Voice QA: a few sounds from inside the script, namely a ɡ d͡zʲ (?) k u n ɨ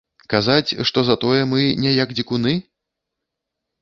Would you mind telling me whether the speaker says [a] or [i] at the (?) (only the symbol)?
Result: i